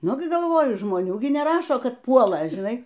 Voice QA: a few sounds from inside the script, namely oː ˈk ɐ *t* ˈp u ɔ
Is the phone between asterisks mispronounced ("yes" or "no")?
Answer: no